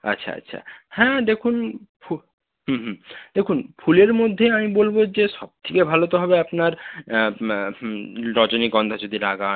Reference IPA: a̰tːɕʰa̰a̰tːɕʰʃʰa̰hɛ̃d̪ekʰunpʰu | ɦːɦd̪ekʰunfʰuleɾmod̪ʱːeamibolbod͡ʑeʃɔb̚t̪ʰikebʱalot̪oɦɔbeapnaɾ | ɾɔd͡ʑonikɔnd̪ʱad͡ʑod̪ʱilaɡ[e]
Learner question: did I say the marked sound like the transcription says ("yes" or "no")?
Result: no